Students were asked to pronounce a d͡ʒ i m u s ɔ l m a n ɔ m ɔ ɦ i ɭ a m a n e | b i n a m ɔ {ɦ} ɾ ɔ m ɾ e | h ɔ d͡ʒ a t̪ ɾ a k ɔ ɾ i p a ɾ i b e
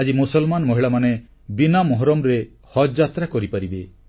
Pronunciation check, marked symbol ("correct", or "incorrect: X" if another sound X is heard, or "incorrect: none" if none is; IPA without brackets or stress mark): correct